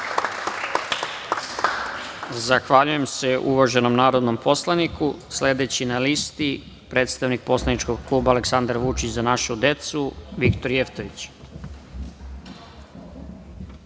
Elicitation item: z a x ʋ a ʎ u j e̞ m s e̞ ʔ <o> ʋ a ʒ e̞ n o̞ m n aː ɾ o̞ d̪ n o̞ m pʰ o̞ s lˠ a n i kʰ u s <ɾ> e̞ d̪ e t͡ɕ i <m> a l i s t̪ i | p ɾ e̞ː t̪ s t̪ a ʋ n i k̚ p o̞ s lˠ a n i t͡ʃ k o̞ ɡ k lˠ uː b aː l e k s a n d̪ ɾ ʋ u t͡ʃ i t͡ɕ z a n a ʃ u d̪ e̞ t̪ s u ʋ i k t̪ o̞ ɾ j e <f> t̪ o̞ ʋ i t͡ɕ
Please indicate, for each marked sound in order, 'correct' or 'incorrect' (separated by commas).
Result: incorrect, incorrect, incorrect, correct